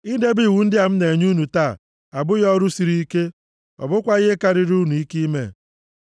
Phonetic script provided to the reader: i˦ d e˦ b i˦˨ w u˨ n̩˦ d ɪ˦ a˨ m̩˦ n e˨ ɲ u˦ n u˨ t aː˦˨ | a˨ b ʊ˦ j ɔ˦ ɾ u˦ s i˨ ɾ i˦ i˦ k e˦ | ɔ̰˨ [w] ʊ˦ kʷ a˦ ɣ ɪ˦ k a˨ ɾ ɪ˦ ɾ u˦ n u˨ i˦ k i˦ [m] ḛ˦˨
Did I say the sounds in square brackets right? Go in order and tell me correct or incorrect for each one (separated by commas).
incorrect, correct